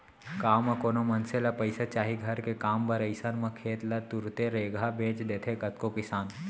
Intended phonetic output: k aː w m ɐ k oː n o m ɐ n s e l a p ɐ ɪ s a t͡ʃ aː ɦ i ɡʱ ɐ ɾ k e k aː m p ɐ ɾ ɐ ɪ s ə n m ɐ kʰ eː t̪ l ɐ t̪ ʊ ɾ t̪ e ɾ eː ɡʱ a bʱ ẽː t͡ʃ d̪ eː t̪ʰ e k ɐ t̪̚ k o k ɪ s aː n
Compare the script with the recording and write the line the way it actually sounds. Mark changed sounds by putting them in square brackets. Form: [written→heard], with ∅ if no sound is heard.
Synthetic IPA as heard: k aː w m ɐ k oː n o m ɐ n s e l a p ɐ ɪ s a t͡ʃ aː ɦ i ɡʱ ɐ ɾ k e k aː m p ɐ ɾ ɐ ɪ s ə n m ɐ kʰ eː t̪ l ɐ t̪ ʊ ɾ t̪ e ɾ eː ɡʱ a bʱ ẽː t͡ʃ d̪ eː t̪ʰ e k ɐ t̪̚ k o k ɪ s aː n